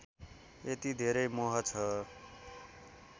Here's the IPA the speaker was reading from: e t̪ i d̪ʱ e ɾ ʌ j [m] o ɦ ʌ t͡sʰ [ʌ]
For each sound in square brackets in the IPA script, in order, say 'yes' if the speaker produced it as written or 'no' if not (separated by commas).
yes, yes